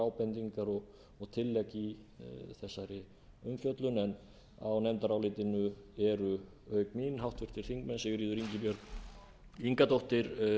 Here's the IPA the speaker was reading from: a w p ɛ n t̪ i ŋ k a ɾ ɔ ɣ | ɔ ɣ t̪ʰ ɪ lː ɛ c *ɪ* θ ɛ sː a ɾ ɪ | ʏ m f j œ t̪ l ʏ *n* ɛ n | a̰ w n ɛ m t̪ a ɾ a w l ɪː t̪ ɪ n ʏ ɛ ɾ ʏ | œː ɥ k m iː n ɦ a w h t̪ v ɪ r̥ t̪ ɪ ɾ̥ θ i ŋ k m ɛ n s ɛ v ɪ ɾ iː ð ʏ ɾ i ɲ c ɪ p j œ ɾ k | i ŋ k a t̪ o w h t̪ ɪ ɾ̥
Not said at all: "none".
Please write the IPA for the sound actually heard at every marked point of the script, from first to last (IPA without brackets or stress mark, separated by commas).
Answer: i, n